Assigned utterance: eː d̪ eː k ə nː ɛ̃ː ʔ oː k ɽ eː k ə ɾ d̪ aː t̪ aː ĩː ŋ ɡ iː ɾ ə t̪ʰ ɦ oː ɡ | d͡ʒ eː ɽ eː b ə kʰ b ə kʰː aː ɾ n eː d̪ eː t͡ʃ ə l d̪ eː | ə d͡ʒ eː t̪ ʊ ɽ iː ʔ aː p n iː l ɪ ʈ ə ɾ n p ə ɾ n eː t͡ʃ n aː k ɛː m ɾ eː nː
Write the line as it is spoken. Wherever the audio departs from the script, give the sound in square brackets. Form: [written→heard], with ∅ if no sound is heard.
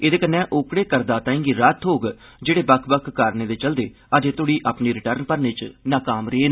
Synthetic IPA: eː d̪ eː k ə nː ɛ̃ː ʔ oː k ɽ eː k ə ɾ d̪ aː t̪ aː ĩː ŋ ɡ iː ɾ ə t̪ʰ ɦ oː ɡ | d͡ʒ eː ɽ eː b ə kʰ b ə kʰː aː ɾ n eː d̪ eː t͡ʃ ə l d̪ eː | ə d͡ʒ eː t̪ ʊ ɽ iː ʔ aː p n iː [l→ɾ] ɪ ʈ ə ɾ n p ə ɾ n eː t͡ʃ n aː k [ɛː→aː] m ɾ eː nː